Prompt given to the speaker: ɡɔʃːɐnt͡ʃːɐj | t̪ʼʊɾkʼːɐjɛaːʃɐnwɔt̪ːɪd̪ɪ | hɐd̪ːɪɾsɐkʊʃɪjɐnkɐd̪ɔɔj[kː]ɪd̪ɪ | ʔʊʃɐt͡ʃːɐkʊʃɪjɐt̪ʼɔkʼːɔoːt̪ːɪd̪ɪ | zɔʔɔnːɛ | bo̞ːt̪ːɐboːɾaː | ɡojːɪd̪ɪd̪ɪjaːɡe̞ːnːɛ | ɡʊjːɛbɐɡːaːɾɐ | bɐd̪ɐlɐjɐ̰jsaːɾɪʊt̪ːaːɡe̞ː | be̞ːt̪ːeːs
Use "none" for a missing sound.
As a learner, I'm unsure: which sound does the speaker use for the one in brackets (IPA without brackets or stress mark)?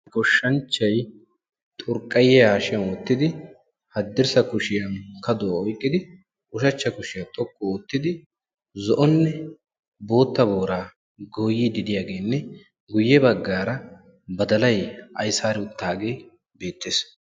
kʼː